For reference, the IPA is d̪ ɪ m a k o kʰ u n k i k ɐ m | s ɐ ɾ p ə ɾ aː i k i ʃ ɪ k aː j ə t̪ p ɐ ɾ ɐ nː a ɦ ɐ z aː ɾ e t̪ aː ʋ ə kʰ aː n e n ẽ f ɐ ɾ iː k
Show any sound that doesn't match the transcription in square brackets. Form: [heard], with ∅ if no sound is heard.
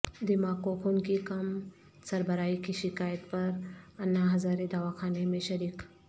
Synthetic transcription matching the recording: d̪ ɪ m a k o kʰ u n k i k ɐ m | s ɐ ɾ [b] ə ɾ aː i k i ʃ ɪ k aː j ə t̪ p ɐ ɾ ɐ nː a ɦ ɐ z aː ɾ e [d̪] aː ʋ [a] kʰ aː n e [m] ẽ [ʃ] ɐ ɾ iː k